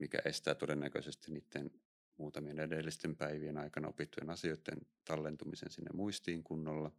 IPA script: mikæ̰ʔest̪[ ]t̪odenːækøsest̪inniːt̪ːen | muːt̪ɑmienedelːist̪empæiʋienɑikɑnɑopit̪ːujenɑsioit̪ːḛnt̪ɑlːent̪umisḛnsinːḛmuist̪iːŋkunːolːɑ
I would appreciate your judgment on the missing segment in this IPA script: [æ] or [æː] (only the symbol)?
æː